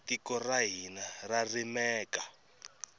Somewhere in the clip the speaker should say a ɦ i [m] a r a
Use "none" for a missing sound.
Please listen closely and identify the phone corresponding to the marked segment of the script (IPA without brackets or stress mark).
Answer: n